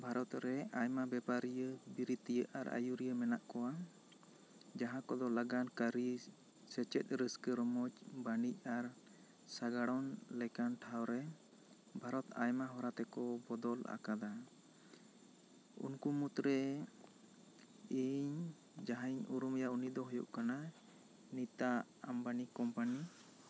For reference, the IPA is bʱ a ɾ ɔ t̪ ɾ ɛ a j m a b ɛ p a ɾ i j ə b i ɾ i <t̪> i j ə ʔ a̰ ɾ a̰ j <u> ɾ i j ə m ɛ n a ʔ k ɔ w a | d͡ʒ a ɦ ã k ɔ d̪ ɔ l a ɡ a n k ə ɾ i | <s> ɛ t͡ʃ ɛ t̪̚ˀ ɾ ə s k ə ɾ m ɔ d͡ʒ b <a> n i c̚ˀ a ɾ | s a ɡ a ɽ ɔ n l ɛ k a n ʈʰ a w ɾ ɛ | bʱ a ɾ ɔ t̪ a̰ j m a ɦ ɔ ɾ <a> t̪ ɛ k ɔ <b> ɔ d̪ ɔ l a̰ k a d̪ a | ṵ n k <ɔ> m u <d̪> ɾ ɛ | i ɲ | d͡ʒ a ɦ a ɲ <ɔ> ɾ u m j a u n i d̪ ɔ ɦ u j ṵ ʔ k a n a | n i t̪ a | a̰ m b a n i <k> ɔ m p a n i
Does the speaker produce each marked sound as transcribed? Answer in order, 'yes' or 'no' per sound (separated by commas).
yes, yes, yes, yes, yes, yes, no, no, no, yes